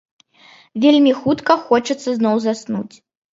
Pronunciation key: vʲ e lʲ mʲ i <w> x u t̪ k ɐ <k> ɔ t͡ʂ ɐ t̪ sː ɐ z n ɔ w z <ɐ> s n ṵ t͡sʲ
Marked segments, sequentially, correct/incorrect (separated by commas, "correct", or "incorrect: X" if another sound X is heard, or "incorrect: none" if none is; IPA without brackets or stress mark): incorrect: none, incorrect: x, incorrect: a